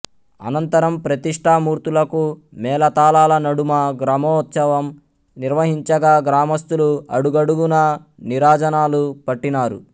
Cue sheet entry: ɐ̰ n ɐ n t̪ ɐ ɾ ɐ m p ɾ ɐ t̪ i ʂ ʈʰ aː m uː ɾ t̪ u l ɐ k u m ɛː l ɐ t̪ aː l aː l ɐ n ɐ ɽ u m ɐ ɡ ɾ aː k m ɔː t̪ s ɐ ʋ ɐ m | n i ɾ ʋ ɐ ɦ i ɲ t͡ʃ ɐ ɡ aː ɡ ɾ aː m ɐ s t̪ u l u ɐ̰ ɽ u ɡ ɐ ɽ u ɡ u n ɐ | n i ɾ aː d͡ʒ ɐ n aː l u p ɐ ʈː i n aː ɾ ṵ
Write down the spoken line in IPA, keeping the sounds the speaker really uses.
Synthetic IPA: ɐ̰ n ɐ n t̪ ɐ ɾ ɐ m p ɾ ɐ t̪ i ʂ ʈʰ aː m uː ɾ t̪ u l ɐ k u m ɛː l ɐ t̪ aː l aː l ɐ n ɐ ɽ u m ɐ ɡ ɾ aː m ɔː t̪ s ɐ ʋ ɐ m | n i ɾ ʋ ɐ ɦ i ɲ t͡ʃ ɐ ɡ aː ɡ ɾ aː m ɐ s t̪ u l u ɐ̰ ɽ u ɡ ɐ ɽ u ɡ u n ɐ | n i ɾ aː d͡ʒ ɐ n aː l u p ɐ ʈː i n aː ɾ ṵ

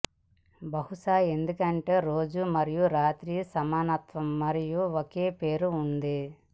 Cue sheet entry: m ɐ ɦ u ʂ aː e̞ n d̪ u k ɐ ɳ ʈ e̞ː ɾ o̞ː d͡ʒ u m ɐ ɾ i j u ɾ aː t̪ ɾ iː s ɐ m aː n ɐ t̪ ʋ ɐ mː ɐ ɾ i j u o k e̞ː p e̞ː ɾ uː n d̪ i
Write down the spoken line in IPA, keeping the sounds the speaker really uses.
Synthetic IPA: b ɐ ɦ u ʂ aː e̞ n d̪ u k ɐ ɳ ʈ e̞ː ɾ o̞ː d͡ʒ u m ɐ ɾ i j u ɾ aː t̪ ɾ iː s ɐ m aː n ɐ t̪ ʋ ɐ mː ɐ ɾ i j u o k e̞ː p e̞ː ɾ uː n d̪ i

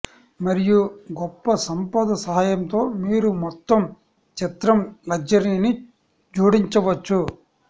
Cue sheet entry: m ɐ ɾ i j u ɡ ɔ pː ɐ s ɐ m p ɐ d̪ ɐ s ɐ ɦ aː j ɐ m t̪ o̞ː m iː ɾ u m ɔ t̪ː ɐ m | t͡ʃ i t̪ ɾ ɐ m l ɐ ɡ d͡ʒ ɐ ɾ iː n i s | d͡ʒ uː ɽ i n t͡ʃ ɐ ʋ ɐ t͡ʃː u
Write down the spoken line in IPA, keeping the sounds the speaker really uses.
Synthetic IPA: m ɐ ɾ i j u ɡ ɔ pː ɐ s ɐ m p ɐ d̪ ɐ s ɐ ɦ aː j ɐ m t̪ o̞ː m iː ɾ u m ɔ t̪ː ɐ m | t͡ʃ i t̪ ɾ ɐ m l ɐ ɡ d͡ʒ ɐ ɾ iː n i | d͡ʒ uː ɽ i ɲ t͡ʃ ɐ ʋ ɐ t͡ʃː u

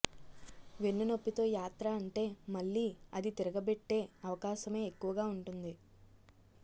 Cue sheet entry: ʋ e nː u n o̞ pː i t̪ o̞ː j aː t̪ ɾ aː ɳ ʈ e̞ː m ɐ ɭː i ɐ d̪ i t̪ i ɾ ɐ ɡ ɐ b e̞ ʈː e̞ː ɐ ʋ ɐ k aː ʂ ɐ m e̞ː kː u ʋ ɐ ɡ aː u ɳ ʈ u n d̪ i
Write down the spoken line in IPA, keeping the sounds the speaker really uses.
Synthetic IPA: ʋ e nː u n o̞ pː i t̪ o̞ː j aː t̪ ɾ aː ɳ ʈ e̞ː m ɐ ɭː iː ɐ d̪ i t̪ i ɾ ɐ ɡ ɐ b e̞ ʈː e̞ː ɐ ʋ ɐ k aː ʃ ɐ m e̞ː kː u ʋ ɐ ɡ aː u ɳ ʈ u n d̪ i

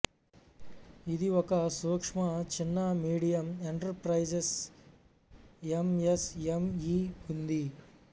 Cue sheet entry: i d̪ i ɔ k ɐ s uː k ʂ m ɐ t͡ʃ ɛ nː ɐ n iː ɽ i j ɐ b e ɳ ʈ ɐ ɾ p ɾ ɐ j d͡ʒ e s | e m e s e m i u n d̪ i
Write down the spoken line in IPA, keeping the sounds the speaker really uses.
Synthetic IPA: i d̪ i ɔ k ɐ s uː k ʂ m ɐ t͡ʃ i nː ɐ m iː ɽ i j ɐ m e ɳ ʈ ɐ ɾ p ɾ ɐ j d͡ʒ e s | e m e s e m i u n d̪ i

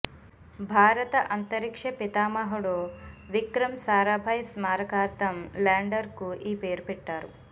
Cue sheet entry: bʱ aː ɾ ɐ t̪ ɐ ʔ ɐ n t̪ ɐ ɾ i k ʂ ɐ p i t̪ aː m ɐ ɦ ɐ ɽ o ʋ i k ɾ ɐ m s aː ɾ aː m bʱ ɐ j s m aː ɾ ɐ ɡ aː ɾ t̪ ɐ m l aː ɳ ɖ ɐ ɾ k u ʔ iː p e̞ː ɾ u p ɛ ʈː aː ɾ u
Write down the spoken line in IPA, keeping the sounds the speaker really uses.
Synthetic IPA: bʱ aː ɾ ɐ t̪ ɐ ʔ ɐ n t̪ ɐ ɾ i k ʂ ɐ p i t̪ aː m ɐ ɦ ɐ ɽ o ʋ i k ɾ ɐ m s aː ɾ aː bʱ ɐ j s m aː ɾ ɐ k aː ɾ t̪ ɐ m l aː ɳ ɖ ɐ ɾ k u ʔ iː p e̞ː ɾ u p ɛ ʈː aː ɾ u

